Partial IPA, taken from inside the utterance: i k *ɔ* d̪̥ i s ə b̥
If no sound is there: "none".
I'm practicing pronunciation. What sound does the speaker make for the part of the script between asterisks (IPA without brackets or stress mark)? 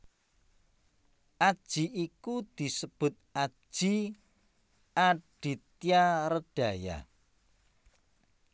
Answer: u